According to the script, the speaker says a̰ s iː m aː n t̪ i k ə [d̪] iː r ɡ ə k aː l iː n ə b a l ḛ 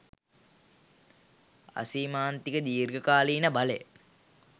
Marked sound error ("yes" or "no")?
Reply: no